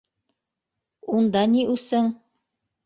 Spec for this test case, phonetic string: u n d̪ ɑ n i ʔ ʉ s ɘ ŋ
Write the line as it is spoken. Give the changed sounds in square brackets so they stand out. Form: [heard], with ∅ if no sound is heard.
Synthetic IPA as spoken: u n d̪ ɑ n i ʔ ʉ s ɘ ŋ